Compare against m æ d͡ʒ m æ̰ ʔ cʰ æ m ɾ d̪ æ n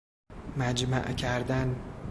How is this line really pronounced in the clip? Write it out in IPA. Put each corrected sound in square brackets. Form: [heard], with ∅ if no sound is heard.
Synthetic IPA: m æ d͡ʒ m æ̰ ʔ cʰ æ [∅] ɾ d̪ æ n